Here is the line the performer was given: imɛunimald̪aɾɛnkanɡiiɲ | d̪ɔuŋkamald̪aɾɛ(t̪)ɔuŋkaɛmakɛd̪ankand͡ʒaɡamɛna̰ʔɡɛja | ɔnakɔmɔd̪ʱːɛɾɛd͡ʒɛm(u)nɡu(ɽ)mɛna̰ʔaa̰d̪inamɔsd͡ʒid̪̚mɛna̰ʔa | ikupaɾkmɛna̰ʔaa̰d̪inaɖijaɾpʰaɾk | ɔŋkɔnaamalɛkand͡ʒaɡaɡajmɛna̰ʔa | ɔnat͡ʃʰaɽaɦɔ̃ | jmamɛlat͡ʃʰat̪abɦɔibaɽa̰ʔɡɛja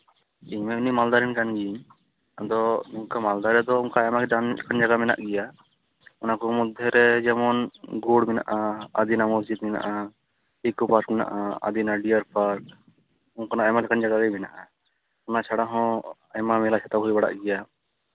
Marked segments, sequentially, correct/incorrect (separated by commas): incorrect, incorrect, correct